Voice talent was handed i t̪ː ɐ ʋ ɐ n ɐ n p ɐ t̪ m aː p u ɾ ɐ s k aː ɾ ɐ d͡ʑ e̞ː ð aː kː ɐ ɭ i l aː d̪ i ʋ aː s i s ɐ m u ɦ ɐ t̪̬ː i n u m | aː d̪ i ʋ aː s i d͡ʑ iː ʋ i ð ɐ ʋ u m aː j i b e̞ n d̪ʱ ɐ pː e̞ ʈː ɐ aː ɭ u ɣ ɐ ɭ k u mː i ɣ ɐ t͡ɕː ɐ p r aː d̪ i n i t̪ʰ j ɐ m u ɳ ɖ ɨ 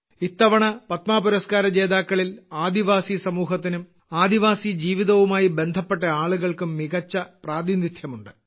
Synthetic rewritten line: i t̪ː ɐ ʋ ɐ ɳ ɐ p ɐ t̪ m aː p u ɾ ɐ s k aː ɾ ɐ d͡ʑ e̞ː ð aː kː ɐ ɭ i l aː d̪ i ʋ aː s i s ɐ m uː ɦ ɐ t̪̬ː i n u m | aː d̪ i ʋ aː s i d͡ʑ iː ʋ i ð ɐ ʋ u m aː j i b e̞ n d̪ʱ ɐ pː e̞ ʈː ɐ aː ɭ u ɣ ɐ ɭ k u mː i ɣ ɐ t͡ɕː ɐ p r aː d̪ i n i t̪ʰ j ɐ m u ɳ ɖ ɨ